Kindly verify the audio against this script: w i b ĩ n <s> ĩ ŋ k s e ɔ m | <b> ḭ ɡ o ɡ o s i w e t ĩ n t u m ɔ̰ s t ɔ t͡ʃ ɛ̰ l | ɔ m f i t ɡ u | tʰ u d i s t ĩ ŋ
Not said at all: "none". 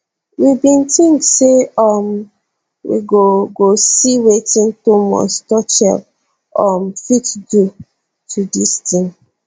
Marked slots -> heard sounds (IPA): t, w

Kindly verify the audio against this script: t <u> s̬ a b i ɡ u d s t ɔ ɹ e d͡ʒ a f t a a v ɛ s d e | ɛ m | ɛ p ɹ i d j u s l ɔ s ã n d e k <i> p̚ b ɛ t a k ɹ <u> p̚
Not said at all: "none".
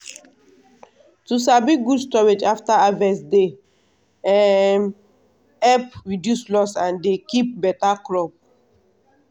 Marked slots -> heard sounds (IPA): u, i, ɔ

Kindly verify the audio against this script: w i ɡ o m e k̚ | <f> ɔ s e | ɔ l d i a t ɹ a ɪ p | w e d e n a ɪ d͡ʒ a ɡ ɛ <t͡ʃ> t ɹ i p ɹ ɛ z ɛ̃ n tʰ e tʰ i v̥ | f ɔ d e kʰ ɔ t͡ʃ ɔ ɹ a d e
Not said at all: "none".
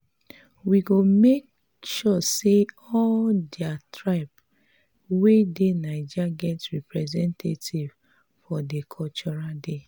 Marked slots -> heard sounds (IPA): ʃ, none

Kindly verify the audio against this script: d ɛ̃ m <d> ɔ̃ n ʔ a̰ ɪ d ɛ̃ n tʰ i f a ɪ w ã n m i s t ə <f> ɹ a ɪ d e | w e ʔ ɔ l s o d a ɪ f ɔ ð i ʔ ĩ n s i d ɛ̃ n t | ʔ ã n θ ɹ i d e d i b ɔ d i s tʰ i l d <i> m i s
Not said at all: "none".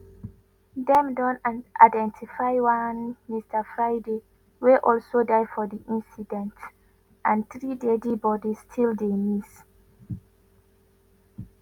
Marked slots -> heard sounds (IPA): d, f, e

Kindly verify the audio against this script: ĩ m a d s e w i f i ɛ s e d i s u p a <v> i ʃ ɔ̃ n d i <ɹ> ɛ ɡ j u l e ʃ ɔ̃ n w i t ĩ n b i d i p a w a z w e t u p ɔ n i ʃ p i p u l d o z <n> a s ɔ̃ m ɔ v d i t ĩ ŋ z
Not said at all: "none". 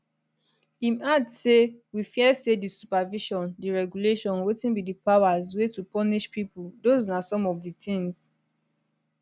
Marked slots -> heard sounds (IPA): v, ɹ, n

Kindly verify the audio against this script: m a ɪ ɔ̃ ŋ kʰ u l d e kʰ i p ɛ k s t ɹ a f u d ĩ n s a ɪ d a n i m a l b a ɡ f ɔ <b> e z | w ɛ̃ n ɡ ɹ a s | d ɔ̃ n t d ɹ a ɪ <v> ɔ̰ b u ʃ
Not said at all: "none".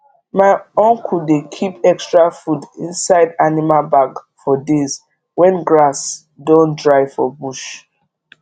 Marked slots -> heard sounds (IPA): d, f

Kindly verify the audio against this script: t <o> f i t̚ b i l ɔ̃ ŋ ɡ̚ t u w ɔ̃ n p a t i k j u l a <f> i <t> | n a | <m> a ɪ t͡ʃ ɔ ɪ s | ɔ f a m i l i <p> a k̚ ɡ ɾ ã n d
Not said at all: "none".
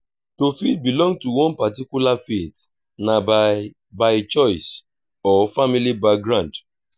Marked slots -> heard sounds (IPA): o, f, t, b, b

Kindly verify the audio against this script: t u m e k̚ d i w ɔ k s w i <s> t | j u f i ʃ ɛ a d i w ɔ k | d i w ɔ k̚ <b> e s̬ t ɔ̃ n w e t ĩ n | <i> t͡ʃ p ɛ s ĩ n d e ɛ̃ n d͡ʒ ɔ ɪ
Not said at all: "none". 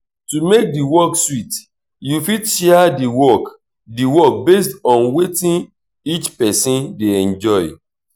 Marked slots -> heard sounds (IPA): none, b, i

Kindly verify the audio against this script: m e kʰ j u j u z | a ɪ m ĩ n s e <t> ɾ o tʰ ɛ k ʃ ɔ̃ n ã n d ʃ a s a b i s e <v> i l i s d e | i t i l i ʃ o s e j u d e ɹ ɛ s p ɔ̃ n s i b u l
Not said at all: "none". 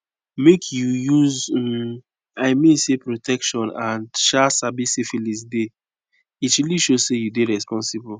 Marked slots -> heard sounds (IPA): p, f

